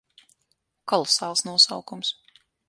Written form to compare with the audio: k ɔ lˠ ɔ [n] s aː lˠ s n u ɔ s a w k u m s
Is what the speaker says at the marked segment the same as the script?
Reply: no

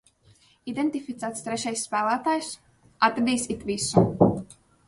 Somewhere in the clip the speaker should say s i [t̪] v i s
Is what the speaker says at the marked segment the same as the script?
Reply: yes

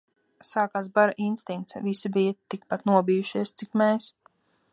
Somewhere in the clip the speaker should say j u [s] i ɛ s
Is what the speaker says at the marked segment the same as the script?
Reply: no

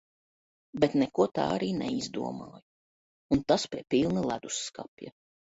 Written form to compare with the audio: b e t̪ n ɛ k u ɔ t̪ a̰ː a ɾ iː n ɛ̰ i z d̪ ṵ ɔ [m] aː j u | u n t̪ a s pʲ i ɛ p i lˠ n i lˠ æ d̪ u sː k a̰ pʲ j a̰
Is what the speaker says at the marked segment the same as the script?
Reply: yes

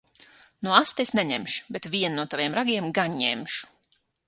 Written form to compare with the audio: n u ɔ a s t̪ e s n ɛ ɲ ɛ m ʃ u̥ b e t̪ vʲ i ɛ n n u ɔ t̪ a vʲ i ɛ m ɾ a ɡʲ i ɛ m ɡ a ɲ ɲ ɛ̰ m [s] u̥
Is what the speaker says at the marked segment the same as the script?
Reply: no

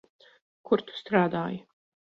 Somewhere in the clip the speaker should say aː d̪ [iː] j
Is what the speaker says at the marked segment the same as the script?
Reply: no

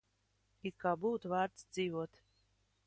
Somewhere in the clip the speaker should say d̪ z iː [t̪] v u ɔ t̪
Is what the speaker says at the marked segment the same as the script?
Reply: no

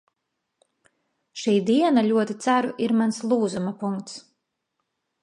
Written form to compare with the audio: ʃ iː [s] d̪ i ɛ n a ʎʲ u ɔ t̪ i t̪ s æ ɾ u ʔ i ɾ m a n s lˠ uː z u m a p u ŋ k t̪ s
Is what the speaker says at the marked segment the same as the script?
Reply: no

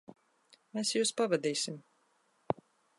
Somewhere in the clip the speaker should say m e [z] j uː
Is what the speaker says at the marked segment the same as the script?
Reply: no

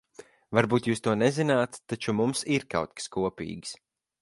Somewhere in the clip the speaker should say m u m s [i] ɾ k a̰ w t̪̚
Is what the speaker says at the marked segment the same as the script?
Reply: yes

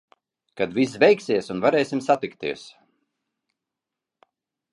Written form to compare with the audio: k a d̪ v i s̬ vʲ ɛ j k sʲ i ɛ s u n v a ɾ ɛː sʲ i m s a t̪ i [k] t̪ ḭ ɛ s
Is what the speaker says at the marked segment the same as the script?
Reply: yes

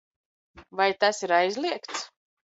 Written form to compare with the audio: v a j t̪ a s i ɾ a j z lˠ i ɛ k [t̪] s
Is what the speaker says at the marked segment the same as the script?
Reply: yes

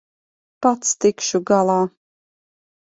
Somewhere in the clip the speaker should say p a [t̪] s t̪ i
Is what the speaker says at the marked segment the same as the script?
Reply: yes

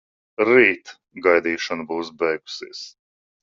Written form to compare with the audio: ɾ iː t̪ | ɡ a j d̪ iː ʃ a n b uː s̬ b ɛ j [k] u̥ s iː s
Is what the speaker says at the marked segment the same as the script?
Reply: no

